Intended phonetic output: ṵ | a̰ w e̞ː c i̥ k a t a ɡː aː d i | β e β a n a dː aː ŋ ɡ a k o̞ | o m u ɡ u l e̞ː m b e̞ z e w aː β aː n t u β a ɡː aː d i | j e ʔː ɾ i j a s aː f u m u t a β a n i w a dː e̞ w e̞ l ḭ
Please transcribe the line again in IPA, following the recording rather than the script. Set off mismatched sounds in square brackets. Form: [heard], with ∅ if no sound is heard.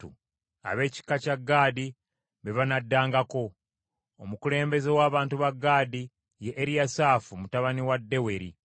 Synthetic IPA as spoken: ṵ | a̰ [β] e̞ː c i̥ k a [c] a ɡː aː d i | β e β a n a dː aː ŋ ɡ a k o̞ | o m u [k] u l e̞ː m b e̞ z e w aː β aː n t u β a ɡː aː d i | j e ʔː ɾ i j a s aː f u m u t a β a n i w a dː e̞ w e̞ [ɾ] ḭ